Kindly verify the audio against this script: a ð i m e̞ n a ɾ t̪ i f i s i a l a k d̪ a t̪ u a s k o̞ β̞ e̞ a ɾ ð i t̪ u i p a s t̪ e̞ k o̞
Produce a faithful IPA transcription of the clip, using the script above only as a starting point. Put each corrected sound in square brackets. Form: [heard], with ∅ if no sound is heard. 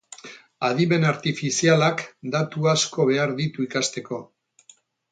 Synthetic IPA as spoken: a ð i m e̞ n a ɾ t̪ i f i s i a l a k d̪ a t̪ u a s k o̞ β̞ e̞ a ɾ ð i t̪ u i [k] a s t̪ e̞ k o̞